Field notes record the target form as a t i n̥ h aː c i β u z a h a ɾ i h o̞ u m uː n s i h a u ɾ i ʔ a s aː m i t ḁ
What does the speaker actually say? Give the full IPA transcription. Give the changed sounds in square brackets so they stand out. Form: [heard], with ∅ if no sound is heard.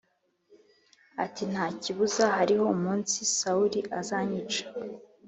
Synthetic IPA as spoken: a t i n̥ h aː c i β u z a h a ɾ i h o̞ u m uː n s i [s] a u ɾ i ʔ a [z] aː [ɲ] i [t͡ʃ] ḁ